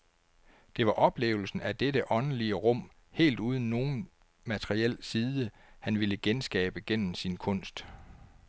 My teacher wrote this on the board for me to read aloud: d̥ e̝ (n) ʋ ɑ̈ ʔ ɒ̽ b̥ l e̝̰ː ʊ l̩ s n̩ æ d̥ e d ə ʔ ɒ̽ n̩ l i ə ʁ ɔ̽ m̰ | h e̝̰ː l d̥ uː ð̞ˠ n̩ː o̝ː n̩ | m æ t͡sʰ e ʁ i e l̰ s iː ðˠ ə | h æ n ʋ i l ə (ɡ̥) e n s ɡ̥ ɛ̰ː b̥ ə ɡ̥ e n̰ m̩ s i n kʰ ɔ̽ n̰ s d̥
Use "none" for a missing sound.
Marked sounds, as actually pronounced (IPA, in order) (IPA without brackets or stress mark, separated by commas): none, ɡ̥